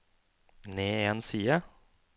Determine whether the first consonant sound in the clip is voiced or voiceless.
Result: voiced